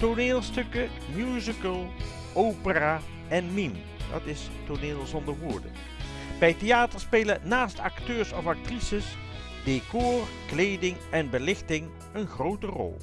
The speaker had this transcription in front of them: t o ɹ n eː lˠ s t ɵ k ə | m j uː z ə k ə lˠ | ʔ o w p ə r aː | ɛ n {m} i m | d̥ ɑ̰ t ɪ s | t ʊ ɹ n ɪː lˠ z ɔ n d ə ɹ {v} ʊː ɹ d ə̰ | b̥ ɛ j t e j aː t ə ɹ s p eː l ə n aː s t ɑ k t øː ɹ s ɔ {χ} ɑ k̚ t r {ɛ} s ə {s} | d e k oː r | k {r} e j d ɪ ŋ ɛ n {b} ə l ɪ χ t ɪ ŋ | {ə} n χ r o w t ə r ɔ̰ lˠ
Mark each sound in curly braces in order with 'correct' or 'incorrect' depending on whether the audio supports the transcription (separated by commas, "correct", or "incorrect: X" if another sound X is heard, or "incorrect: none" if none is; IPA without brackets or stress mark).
correct, incorrect: ʋ, incorrect: f, incorrect: i, correct, incorrect: l, correct, correct